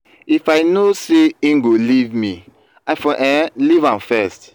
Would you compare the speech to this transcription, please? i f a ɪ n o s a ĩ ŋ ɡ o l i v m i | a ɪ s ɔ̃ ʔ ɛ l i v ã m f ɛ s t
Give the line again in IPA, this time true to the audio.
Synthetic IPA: i f a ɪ n o s e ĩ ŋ ɡ o l i v m i | a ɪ f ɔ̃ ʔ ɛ l i v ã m f ɛ s t